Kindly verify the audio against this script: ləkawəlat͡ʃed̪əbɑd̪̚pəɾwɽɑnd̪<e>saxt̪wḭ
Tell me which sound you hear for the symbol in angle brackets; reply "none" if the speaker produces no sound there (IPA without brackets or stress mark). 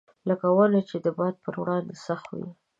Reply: e